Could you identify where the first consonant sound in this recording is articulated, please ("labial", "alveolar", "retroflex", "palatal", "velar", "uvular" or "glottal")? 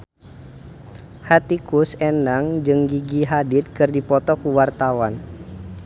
glottal